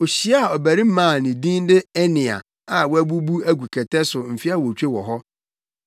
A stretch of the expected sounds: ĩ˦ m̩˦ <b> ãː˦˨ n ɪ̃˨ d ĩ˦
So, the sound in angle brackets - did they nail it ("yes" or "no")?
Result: no